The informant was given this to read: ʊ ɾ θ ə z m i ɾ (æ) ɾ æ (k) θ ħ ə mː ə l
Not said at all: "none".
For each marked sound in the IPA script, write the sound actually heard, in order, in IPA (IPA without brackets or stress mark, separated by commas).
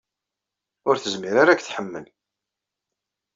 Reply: a, k